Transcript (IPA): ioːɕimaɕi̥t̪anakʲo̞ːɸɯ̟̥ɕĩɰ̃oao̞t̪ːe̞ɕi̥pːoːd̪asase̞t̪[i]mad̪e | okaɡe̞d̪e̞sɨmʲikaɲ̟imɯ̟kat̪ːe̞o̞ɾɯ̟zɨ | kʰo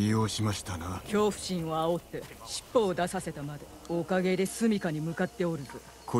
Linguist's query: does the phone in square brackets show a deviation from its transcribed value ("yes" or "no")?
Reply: yes